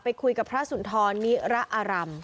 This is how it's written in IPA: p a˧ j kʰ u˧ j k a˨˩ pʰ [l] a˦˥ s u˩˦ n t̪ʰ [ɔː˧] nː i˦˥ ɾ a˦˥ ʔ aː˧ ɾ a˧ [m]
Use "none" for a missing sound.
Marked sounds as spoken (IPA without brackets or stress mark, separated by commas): ɾ, ɔː˧, m